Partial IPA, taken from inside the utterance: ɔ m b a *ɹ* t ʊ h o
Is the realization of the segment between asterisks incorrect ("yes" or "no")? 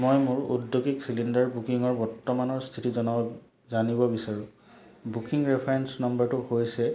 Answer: no